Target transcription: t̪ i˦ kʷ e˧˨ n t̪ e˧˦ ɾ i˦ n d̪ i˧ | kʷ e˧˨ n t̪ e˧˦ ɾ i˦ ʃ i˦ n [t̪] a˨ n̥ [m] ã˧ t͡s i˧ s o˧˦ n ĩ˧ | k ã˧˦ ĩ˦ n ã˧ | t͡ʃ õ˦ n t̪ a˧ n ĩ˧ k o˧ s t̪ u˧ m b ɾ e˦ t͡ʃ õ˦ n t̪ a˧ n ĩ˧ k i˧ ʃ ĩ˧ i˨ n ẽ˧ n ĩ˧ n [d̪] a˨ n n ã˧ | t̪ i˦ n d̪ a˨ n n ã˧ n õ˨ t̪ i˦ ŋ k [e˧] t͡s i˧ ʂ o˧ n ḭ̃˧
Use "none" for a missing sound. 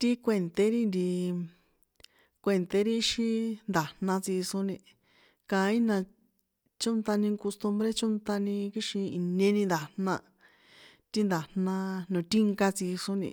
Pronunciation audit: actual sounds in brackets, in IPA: d̪, n, d̪, a˧

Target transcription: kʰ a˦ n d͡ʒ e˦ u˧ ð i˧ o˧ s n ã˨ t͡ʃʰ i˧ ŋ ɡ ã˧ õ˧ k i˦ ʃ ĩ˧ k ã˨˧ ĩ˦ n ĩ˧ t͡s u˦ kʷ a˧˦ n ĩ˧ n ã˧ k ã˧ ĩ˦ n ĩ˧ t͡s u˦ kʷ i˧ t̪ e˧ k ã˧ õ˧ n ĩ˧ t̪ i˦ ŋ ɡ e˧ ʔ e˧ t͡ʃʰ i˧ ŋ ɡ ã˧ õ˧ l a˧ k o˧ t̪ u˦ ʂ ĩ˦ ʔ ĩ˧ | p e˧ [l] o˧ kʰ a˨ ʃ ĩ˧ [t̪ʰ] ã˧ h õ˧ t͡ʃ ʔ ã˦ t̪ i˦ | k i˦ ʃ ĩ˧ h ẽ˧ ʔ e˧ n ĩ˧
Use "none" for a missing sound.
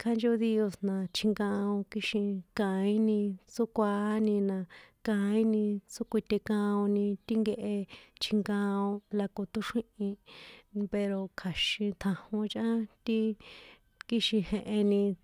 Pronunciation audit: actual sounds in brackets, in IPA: ɾ, t̪ʰ

